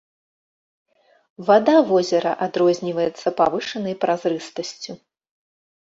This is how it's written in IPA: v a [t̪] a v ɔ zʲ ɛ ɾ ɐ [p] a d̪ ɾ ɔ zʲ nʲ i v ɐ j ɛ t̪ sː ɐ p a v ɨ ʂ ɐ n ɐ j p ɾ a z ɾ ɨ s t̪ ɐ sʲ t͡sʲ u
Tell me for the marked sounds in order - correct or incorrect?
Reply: incorrect: d̪, incorrect: ʔ

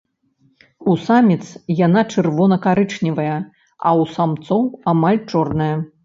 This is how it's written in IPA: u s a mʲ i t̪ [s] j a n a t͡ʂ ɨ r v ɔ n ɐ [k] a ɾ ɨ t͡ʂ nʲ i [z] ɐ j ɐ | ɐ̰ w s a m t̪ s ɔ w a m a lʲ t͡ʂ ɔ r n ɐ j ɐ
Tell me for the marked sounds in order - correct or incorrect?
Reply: correct, correct, incorrect: v

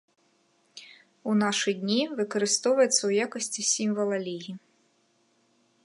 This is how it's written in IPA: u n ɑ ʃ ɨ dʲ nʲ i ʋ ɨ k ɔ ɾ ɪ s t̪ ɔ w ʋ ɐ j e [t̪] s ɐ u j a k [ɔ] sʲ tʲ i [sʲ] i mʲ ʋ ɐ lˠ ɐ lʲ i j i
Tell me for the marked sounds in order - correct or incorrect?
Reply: correct, correct, correct

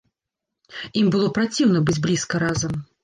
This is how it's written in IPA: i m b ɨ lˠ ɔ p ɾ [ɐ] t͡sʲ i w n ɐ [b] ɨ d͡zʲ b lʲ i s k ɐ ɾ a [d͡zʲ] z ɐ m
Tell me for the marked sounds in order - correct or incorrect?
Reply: incorrect: a, correct, incorrect: none

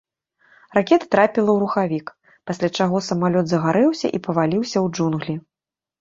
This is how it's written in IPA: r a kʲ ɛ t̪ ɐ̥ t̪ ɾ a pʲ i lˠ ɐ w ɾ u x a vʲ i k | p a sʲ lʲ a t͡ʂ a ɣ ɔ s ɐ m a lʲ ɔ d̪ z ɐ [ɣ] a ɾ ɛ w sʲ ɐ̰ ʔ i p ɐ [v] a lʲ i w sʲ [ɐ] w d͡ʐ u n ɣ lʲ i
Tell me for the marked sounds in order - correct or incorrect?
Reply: correct, correct, correct

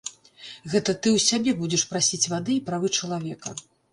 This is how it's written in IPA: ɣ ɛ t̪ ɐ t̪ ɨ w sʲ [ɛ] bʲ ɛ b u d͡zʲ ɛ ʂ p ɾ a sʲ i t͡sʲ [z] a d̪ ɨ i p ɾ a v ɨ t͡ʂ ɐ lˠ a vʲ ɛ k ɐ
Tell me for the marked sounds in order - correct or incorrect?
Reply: incorrect: a, incorrect: v

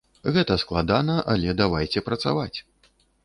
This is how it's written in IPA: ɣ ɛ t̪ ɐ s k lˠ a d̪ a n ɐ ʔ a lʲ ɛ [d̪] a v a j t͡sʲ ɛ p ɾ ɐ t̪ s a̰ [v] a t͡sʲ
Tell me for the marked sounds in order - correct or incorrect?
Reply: correct, correct

